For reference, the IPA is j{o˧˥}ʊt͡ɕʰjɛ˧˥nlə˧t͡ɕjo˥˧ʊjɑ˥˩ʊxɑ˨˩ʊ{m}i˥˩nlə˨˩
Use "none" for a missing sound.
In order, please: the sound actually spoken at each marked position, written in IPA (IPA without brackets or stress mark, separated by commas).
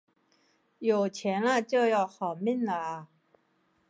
o˨˩, m